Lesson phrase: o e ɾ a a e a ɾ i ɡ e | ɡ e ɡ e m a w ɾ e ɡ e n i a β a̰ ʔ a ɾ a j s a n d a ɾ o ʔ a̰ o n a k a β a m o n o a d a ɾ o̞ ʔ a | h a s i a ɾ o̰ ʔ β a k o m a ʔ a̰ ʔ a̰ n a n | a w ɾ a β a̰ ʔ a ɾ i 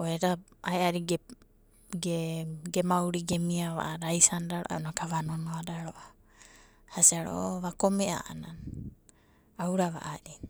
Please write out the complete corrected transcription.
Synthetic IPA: o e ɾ a a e a ɾ i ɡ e | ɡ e ɡ e m a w ɾ i ɡ e m i a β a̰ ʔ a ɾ a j s a n d a ɾ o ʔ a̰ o n a k a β a n o n o a d a ɾ o̞ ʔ a | h a s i a ɾ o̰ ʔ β a k o m e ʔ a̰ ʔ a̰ n a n | a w ɾ a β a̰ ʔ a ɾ i